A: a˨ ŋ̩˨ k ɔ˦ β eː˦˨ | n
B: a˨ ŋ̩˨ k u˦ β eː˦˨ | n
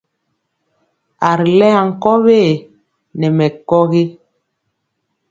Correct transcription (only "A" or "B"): A